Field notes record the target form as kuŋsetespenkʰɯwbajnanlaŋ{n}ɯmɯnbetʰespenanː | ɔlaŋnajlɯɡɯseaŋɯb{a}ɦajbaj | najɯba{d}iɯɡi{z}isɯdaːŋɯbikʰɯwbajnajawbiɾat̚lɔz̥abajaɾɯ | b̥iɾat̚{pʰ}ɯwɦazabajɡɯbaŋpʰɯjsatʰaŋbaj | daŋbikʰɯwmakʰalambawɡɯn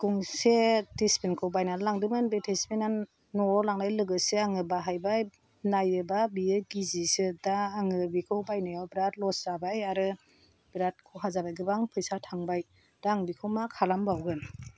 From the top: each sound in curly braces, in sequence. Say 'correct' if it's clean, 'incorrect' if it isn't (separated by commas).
incorrect, correct, incorrect, correct, incorrect